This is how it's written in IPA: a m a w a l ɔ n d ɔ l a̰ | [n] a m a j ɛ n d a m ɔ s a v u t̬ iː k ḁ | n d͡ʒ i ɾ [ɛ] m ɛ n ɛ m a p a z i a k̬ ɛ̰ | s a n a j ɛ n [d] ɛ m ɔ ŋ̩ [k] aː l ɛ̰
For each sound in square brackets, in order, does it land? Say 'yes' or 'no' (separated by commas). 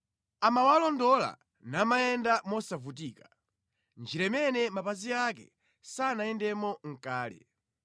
yes, yes, yes, yes